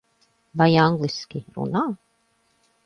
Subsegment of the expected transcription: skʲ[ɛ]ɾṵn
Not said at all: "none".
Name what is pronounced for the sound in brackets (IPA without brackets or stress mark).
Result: i